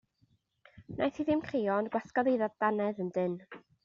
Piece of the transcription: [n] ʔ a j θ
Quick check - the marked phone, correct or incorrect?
correct